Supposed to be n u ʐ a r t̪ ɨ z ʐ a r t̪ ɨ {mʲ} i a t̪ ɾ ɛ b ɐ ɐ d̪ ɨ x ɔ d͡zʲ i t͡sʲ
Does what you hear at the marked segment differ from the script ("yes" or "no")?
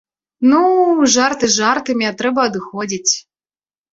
no